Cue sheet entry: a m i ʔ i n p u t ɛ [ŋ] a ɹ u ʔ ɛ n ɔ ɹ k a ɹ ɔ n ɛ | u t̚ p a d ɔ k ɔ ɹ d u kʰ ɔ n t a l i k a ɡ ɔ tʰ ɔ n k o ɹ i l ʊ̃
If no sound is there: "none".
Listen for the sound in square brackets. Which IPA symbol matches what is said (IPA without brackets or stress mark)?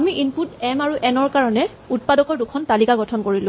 m